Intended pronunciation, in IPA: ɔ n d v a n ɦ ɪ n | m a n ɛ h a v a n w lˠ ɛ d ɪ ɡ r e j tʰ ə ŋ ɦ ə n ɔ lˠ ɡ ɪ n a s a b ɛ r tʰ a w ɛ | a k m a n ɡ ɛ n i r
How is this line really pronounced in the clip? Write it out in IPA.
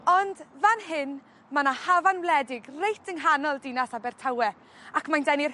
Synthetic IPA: ɔ n d v a n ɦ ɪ n | m a n a h a v a n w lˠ ɛ d ɪ ɡ r e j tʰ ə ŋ ɦ a n ɔ lˠ d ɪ n a s a b ɛ r tʰ a w ɛ | a k m a n d ɛ n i r